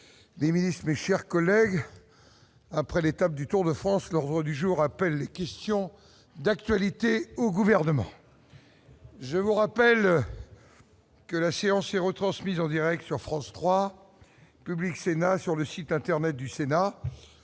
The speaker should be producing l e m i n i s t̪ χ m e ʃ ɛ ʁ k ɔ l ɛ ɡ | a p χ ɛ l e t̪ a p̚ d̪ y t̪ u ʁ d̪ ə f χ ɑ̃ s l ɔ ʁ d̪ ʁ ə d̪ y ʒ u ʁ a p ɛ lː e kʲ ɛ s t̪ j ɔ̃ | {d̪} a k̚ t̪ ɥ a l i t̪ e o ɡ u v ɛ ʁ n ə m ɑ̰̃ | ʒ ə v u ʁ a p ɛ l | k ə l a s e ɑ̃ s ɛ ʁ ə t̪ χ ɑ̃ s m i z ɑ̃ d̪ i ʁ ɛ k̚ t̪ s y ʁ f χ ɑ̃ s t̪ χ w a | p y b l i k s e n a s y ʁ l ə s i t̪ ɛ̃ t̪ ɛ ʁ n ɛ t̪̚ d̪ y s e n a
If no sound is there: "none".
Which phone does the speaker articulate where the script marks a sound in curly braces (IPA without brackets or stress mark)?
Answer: d̪